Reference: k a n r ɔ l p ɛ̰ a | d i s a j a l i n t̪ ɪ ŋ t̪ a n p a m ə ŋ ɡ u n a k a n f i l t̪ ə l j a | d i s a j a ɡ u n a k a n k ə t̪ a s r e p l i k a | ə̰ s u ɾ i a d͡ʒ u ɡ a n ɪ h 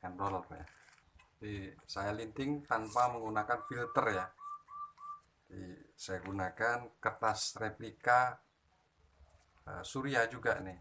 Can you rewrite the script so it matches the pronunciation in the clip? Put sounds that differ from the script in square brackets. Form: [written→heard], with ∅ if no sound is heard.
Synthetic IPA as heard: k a n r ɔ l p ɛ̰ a | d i s a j a l i n t̪ ɪ ŋ t̪ a n p a m ə ŋ ɡ u n a k a n f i l t̪ ə [l→r] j a | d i s a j a ɡ u n a k a n k ə t̪ a s r e p l i k a | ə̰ s u ɾ i a d͡ʒ u ɡ a n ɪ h